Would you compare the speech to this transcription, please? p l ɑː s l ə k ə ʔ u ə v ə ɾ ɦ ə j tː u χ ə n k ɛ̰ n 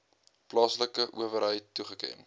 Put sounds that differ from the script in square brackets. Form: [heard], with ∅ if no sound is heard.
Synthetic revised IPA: p l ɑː s l ə k ə ʔ u ə v ə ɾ ɦ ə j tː u χ ə [∅] k ɛ̰ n